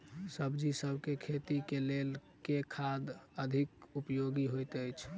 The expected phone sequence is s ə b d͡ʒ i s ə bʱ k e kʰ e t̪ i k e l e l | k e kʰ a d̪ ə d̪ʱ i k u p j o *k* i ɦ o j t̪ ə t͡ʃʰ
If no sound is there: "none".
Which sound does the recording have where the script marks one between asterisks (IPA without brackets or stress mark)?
ɡ